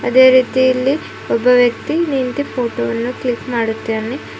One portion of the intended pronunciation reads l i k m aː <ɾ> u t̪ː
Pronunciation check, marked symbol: incorrect: ɽ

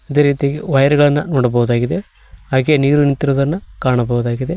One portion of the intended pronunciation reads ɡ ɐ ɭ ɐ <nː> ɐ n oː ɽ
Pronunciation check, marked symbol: correct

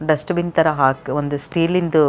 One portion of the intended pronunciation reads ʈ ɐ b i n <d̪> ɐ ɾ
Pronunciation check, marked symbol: incorrect: t̪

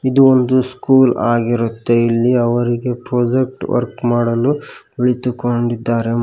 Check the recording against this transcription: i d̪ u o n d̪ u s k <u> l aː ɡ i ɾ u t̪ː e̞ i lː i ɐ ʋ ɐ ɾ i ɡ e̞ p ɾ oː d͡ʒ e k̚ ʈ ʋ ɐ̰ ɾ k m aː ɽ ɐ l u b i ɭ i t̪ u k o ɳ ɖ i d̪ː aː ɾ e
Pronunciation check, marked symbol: incorrect: uː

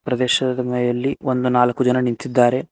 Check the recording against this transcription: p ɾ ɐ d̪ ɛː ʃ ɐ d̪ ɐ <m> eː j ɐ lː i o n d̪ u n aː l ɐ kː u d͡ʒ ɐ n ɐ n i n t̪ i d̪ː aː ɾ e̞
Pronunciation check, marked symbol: correct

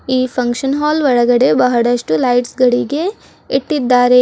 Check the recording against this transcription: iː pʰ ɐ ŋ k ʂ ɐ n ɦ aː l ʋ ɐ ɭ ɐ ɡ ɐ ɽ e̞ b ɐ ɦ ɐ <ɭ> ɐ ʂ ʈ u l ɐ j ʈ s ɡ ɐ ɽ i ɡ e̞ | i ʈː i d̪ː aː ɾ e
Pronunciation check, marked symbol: incorrect: ɽ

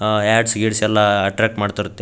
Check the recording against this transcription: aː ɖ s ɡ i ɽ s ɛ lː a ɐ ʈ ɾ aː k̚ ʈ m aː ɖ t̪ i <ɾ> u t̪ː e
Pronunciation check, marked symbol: correct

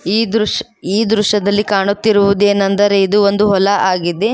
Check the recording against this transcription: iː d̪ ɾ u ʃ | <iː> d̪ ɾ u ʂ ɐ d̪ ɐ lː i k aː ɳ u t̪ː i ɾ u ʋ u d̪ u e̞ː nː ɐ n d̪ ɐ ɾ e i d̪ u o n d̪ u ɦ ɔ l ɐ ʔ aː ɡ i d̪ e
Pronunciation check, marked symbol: correct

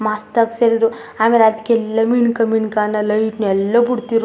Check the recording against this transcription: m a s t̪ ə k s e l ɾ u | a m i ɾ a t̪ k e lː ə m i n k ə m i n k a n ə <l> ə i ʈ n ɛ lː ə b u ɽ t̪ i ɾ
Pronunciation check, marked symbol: correct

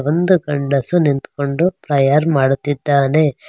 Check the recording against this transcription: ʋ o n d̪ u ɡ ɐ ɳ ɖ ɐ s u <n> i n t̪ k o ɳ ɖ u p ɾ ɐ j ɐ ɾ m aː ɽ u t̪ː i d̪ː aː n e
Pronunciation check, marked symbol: correct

